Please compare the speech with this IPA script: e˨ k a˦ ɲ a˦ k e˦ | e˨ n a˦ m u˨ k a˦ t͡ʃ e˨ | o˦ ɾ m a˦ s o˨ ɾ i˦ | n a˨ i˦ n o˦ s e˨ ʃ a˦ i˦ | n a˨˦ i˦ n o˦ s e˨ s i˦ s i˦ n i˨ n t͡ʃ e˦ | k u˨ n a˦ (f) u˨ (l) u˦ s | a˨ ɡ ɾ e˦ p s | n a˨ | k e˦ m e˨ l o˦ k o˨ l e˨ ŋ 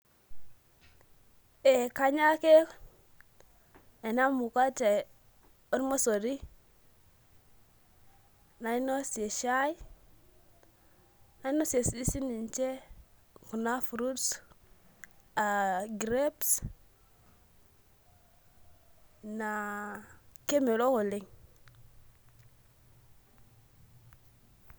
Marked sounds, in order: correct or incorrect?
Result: correct, incorrect: ɾ

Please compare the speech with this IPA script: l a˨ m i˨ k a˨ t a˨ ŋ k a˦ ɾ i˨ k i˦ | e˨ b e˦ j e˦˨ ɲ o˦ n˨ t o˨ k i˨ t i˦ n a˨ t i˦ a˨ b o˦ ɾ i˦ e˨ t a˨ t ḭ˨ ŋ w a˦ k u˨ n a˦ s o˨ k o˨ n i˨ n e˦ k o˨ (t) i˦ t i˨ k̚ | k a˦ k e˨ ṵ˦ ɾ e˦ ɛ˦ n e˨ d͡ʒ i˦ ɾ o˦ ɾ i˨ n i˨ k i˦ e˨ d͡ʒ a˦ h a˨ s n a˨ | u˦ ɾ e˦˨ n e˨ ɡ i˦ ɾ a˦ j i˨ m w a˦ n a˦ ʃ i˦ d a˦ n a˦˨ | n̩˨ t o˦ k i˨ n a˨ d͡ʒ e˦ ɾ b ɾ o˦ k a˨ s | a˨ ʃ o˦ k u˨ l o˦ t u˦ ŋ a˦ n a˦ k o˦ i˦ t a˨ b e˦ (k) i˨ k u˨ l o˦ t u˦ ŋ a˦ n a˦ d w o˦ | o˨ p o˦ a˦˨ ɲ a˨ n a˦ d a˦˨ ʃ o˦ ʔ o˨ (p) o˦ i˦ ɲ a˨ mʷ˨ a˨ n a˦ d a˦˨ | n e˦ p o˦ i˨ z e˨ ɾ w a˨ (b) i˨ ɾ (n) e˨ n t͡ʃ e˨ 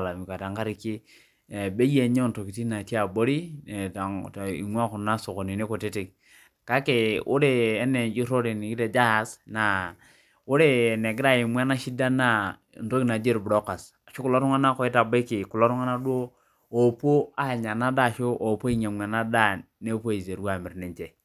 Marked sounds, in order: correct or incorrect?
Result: correct, correct, correct, incorrect: m, correct

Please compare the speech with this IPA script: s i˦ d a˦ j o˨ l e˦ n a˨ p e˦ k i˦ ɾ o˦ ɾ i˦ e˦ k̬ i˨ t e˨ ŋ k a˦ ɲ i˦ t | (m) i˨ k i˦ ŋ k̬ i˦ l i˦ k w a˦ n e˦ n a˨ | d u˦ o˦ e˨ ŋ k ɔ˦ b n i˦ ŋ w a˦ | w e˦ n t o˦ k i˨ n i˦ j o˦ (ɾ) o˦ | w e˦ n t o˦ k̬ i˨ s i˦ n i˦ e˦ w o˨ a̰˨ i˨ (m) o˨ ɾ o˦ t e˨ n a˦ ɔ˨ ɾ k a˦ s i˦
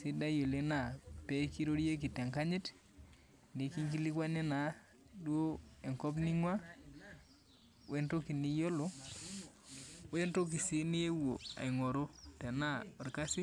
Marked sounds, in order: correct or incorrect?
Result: incorrect: n, incorrect: l, incorrect: ŋ

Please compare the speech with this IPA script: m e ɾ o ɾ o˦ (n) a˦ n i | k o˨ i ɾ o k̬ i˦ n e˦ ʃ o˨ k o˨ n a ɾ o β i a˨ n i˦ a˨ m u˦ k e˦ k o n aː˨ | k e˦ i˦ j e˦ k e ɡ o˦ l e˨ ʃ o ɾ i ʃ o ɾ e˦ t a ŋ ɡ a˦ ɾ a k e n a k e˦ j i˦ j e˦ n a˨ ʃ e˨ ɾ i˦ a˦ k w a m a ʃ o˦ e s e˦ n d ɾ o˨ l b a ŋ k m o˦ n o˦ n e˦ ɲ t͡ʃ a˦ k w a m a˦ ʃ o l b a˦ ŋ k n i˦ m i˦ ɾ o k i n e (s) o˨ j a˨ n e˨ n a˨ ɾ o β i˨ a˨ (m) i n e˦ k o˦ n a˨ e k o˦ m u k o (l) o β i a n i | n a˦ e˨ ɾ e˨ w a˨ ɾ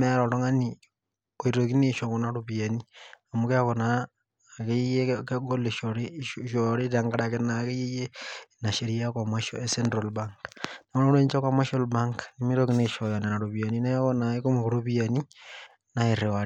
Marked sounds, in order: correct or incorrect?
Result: incorrect: ŋ, incorrect: ʃ, incorrect: n, incorrect: ɾ

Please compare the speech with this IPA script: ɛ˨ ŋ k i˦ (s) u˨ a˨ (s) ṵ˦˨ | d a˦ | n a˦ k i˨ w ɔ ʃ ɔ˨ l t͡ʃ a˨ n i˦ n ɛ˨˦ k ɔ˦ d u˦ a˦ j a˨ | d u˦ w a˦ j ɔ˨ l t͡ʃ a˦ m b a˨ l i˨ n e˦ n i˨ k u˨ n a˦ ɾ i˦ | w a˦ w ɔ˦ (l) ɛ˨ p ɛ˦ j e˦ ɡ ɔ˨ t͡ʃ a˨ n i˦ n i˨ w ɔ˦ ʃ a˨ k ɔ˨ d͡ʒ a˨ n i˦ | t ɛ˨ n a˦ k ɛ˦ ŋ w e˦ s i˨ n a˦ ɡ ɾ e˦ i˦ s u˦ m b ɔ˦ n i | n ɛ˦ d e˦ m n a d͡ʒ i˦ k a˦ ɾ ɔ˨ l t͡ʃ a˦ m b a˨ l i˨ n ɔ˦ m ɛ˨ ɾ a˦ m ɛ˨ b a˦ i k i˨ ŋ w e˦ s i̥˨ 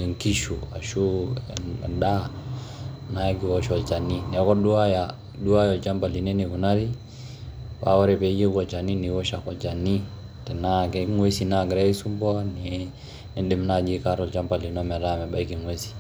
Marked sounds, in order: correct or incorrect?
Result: incorrect: ʃ, incorrect: ʃ, incorrect: ɾ

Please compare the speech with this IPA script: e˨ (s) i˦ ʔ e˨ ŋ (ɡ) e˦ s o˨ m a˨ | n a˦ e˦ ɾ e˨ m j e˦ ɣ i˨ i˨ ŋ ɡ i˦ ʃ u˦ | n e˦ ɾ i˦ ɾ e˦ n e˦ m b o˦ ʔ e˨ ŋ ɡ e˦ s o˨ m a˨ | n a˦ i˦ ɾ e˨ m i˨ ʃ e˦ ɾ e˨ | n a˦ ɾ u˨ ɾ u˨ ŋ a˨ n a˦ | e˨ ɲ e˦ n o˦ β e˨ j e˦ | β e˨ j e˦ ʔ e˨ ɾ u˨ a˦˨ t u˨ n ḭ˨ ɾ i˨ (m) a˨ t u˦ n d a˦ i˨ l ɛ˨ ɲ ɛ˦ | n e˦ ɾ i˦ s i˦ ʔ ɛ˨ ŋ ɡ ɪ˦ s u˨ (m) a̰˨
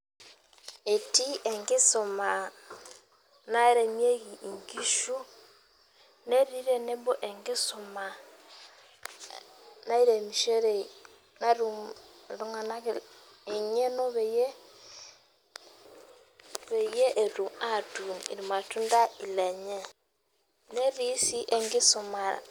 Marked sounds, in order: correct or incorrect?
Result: incorrect: t, correct, correct, correct

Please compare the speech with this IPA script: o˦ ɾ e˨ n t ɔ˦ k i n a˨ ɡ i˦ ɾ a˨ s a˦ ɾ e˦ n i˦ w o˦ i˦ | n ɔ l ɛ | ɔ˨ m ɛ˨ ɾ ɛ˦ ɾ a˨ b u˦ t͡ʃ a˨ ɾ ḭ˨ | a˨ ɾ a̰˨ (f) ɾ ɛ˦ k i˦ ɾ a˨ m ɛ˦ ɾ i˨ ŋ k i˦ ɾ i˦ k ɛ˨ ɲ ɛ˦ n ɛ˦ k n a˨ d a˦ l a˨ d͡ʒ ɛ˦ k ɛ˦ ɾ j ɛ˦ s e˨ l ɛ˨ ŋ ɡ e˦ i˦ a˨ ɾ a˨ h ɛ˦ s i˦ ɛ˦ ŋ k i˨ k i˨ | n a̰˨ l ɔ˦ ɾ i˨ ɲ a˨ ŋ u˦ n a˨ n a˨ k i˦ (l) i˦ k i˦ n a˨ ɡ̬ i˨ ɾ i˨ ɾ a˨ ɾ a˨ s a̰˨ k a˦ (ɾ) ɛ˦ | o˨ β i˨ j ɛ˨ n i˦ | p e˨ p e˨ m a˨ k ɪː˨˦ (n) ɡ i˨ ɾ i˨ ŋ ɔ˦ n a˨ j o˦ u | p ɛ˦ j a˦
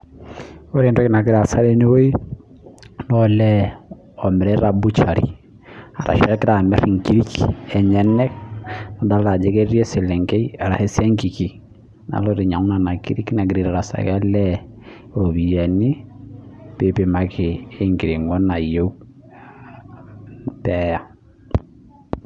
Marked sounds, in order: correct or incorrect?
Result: incorrect: ʃ, incorrect: ɾ, incorrect: l, incorrect: ŋ

